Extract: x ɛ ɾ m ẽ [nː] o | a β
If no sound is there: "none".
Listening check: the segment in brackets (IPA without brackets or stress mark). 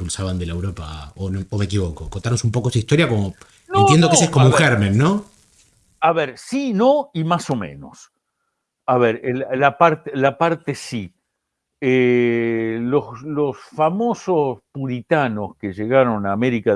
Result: nː